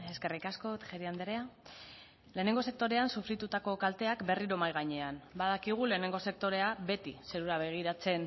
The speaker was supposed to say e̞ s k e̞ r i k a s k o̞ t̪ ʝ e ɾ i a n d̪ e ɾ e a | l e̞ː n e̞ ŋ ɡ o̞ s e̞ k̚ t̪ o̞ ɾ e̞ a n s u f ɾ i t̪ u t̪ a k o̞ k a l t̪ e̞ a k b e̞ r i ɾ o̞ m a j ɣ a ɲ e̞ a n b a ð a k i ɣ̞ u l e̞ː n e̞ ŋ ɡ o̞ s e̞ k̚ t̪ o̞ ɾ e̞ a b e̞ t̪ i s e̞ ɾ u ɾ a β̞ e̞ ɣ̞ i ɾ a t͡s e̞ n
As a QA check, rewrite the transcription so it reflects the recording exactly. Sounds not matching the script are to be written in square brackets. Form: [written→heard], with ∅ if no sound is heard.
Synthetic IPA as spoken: e̞ s k e̞ r i k a s k o̞ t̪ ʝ e ɾ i a n d̪ e ɾ e a | l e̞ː n e̞ ŋ ɡ o̞ s e̞ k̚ t̪ o̞ ɾ e̞ a n s u f ɾ i t̪ u t̪ a k o̞ k a l t̪ e̞ a k b e̞ r i ɾ o̞ m a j ɣ a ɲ e̞ a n b a ð a k i ɣ̞ u l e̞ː n e̞ ŋ ɡ o̞ s e̞ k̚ t̪ o̞ ɾ e̞ a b e̞ t̪ i s e̞ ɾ u ɾ a β̞ e̞ ɣ̞ i ɾ a t͡s e̞ n